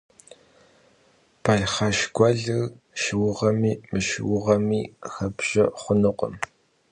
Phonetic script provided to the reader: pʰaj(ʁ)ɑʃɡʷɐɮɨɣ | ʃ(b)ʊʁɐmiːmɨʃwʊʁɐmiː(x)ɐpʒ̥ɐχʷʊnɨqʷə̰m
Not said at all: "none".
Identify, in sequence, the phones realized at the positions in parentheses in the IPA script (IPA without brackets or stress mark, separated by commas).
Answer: χ, w, x